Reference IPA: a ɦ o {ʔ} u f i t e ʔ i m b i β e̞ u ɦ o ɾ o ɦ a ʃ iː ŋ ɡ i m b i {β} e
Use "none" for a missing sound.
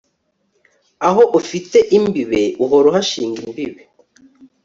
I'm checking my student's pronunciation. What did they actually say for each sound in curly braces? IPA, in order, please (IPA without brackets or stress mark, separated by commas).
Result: ʔ, β